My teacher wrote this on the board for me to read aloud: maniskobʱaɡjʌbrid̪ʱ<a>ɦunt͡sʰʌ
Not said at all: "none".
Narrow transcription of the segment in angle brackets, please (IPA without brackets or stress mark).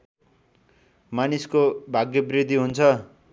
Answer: i